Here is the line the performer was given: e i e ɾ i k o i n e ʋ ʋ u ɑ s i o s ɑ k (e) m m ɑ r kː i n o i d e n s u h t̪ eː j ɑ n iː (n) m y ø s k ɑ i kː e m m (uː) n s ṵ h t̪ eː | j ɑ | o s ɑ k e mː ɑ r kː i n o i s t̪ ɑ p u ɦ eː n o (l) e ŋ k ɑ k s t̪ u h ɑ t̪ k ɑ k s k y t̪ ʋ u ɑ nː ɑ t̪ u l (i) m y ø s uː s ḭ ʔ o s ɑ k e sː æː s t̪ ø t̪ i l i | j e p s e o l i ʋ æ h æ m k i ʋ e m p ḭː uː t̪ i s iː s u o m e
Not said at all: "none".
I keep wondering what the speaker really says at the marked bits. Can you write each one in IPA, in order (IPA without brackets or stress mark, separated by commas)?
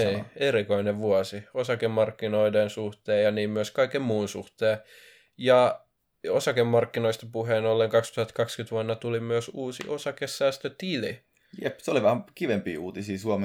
e, m, uː, lː, i